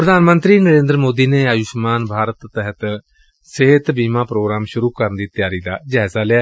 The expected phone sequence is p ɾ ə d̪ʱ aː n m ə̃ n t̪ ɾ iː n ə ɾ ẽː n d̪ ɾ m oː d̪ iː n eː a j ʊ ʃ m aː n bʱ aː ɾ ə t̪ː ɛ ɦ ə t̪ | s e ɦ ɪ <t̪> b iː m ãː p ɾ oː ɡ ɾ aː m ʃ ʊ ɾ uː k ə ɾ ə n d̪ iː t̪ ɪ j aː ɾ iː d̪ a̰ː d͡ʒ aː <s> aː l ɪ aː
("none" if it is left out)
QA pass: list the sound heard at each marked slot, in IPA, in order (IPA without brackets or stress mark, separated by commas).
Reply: t̪, z